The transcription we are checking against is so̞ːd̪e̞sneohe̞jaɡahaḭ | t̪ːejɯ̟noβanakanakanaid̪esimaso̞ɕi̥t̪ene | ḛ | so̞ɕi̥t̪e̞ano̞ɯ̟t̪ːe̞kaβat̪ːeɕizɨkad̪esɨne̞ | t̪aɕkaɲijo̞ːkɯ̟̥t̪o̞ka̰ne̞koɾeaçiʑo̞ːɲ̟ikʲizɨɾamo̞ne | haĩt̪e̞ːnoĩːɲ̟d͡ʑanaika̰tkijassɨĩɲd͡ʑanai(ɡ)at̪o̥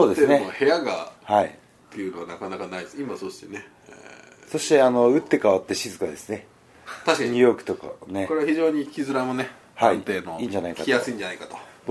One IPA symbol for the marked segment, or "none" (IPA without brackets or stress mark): k